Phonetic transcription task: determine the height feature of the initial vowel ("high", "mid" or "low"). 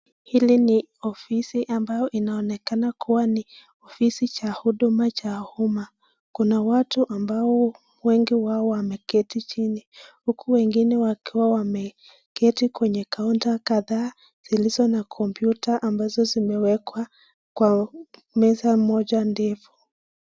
high